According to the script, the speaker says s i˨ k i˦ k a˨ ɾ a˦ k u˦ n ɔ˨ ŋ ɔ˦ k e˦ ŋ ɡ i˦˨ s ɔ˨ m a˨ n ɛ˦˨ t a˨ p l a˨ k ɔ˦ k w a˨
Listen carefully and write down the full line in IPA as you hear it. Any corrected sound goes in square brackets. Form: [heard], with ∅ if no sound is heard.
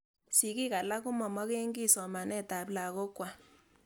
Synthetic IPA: s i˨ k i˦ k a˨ [l] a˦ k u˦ [m] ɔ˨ [m] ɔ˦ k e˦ ŋ ɡ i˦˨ s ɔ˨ m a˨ n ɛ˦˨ t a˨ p l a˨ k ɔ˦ k w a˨